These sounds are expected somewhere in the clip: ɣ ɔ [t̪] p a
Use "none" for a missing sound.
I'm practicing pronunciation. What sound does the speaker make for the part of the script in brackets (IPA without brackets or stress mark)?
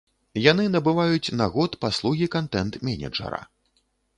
t̪